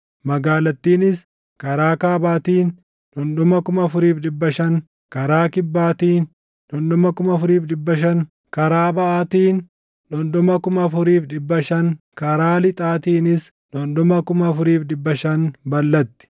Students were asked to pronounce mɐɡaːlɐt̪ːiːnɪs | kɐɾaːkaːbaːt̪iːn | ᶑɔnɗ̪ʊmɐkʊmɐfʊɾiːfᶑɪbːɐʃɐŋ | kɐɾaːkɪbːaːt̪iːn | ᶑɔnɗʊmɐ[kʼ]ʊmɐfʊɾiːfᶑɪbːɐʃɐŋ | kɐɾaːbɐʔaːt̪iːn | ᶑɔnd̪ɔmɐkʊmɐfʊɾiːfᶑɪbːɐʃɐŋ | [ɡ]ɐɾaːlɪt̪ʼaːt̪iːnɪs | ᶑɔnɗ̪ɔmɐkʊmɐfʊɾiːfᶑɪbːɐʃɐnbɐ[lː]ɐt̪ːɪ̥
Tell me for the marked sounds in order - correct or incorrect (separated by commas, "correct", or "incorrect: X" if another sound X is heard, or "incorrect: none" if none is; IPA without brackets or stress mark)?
incorrect: k, incorrect: k, correct